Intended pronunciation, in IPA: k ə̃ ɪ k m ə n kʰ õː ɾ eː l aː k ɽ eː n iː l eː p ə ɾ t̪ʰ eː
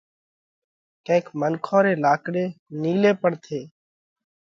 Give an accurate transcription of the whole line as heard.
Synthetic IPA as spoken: k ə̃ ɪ k m ə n kʰ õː ɾ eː l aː k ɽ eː n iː l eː p ə ɽ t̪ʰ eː